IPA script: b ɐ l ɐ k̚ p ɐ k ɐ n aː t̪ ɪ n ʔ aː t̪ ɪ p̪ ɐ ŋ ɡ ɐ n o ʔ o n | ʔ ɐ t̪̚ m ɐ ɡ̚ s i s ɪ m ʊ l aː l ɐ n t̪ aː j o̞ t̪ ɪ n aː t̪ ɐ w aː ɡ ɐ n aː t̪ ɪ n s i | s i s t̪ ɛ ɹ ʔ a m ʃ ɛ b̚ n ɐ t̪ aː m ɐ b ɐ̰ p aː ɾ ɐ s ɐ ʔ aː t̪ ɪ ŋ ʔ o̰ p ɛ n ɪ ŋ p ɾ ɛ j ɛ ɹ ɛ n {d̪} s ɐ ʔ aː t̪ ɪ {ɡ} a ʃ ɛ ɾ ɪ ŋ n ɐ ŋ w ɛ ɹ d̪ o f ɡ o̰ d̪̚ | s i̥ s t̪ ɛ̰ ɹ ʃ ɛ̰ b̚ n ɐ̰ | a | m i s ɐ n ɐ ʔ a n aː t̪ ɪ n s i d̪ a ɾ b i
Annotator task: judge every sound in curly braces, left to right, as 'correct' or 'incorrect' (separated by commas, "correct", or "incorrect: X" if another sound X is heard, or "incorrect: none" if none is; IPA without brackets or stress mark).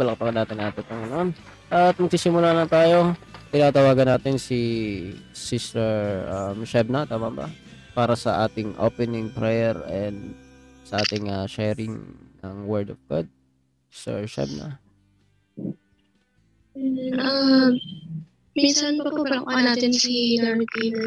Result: correct, incorrect: ŋ